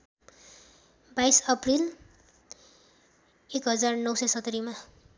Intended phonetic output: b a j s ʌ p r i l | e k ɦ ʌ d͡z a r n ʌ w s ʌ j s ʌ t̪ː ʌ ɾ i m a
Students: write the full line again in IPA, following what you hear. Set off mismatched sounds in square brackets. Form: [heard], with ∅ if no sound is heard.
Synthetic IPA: b a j s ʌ p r i l | e k ɦ ʌ d͡z a r n ʌ w s ʌ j s ʌ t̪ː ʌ ɾ i m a

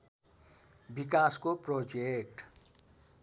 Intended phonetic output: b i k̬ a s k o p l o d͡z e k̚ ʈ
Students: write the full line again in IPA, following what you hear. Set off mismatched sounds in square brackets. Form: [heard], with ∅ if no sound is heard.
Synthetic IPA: b i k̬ a s k o p [r] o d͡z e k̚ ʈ

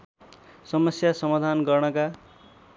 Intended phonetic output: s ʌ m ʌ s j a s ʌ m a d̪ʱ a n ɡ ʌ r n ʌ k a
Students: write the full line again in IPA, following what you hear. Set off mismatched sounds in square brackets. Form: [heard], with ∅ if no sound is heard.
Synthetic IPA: s ʌ m ʌ s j a s ʌ m a d̪ʱ a n ɡ ʌ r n ʌ k a

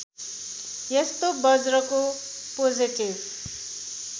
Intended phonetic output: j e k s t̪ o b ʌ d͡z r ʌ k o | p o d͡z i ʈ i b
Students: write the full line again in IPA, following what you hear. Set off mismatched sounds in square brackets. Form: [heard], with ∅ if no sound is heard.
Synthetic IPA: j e [∅] s t̪ o b ʌ d͡z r ʌ k o | p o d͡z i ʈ i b

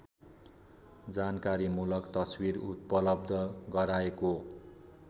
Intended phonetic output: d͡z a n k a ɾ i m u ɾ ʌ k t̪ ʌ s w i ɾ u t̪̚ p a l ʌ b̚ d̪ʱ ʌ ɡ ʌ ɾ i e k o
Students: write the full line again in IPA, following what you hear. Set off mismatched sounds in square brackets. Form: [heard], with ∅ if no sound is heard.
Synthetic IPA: d͡z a n k a ɾ i m u [l] ʌ k t̪ ʌ s w i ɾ u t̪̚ p [ʌ] l ʌ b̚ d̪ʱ ʌ ɡ ʌ ɾ [a] e k o

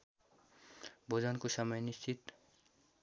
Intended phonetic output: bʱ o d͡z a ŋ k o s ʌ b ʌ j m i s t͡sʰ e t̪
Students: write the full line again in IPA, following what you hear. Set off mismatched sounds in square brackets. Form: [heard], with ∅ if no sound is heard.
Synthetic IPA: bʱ o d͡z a [n] k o s ʌ [m] ʌ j [n] i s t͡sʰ [i] t̪

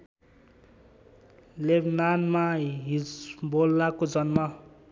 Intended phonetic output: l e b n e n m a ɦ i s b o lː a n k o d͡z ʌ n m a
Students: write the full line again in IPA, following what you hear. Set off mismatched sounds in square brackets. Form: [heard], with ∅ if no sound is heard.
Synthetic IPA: l e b n [a] n m a ɦ i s b o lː a [∅] k o d͡z ʌ n m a

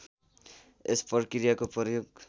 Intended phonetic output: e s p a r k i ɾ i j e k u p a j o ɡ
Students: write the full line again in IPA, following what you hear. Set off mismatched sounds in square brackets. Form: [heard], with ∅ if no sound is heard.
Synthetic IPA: e s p [ʌ] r k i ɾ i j [a] k [o] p [ʌ] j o ɡ

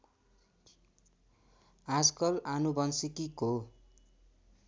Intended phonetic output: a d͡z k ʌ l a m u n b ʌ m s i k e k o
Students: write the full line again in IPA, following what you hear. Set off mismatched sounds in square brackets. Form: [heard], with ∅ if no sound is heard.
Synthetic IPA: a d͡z k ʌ l a [n] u [∅] b ʌ [n] s i k [i] k o

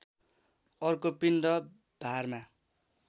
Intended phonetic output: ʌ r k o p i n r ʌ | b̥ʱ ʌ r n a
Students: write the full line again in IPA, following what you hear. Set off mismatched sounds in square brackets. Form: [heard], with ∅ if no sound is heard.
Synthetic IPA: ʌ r k o p i n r ʌ | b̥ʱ [a] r [m] a

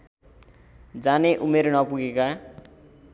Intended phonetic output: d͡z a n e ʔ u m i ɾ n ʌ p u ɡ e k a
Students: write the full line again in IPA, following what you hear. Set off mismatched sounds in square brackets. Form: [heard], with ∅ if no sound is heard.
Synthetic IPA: d͡z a n e ʔ u m [e] ɾ n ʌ p u ɡ e k a

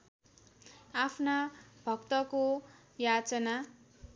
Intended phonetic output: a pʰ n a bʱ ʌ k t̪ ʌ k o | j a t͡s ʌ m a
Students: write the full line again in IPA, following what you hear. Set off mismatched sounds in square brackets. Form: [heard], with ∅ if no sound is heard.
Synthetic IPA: a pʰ n a bʱ ʌ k t̪ ʌ k o | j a t͡s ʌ [n] a

